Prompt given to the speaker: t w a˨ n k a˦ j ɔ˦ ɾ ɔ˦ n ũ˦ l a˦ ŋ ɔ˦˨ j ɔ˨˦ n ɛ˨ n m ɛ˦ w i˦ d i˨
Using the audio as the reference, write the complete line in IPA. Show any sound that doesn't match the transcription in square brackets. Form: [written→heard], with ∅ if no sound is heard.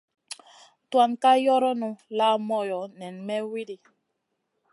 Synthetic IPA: t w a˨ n k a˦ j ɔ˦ ɾ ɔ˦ n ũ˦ l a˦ [ŋ→m] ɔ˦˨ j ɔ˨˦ n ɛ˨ n m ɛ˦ w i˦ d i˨